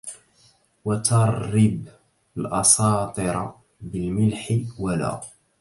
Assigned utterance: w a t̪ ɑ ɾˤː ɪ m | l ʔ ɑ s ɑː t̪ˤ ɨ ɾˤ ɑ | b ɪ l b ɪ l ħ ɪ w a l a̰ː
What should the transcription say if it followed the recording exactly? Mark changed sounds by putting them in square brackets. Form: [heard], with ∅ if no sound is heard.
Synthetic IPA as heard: w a t̪ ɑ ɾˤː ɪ [b] | l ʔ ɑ s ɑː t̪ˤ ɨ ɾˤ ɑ | b ɪ l [m] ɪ l ħ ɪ w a l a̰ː